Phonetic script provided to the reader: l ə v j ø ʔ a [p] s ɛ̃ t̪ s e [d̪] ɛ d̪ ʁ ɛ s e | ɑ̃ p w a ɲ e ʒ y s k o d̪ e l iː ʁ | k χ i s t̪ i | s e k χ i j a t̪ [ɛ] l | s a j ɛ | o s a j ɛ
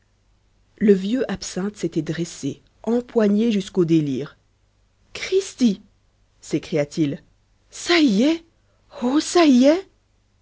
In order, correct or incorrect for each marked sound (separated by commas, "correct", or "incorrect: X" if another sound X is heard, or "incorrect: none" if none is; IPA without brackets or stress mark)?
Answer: correct, incorrect: t̪, incorrect: i